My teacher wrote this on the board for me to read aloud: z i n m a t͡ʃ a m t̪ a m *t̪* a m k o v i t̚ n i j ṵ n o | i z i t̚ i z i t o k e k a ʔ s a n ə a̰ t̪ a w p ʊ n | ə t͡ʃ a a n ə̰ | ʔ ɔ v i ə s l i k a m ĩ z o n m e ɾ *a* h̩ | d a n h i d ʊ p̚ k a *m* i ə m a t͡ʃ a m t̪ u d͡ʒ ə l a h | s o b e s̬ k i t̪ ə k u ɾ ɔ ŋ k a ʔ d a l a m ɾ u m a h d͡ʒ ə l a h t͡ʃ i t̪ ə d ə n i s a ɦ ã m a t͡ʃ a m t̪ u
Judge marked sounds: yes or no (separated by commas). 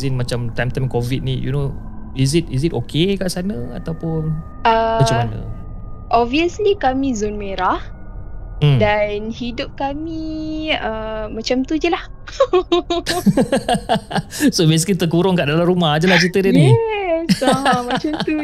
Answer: yes, yes, yes